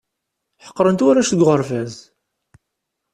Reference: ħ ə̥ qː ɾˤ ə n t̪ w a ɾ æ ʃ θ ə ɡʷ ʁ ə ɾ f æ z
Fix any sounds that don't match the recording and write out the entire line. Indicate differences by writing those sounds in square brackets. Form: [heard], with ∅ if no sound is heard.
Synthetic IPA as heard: ħ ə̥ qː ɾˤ ə n t̪ w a ɾ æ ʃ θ ə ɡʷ ʁ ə ɾ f æ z

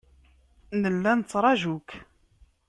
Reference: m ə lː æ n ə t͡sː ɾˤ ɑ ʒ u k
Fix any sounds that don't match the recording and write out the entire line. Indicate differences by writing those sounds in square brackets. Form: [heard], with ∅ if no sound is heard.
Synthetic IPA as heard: [n] ə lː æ n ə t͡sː ɾˤ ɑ ʒ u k

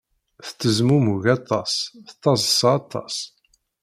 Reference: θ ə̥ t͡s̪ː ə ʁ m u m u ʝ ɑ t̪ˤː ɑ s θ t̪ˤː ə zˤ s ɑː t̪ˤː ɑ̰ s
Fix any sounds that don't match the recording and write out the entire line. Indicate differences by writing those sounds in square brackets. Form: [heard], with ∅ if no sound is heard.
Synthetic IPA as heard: θ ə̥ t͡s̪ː ə [z] m u m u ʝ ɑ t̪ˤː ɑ s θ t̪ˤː [ɑ] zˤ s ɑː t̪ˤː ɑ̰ s

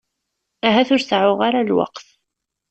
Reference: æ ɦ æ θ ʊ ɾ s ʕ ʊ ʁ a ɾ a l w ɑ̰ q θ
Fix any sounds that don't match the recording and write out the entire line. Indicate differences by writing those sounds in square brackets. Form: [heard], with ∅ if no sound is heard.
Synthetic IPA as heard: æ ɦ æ θ ʊ ɾ s ʕ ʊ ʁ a ɾ a l w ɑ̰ q θ

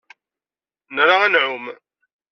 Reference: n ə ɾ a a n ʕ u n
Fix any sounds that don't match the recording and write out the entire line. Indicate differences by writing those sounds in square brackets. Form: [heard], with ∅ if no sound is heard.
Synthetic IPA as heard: n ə ɾ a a n ʕ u [m]

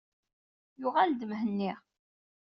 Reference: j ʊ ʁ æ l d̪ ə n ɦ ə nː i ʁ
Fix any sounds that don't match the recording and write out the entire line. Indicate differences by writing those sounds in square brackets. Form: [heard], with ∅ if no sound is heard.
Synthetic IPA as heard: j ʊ ʁ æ l d̪ ə [m] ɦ ə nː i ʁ

